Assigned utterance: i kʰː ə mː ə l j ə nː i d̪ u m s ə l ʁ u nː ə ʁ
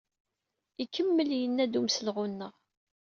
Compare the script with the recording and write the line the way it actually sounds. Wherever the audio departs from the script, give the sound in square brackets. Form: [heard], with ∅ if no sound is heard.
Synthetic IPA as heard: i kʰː ə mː ə l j ə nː [æ] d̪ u m s ə l ʁ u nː ə ʁ